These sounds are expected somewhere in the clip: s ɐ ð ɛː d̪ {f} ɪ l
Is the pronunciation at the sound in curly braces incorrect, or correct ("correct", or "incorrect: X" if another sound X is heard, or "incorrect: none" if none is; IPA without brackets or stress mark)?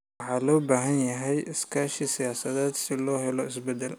incorrect: s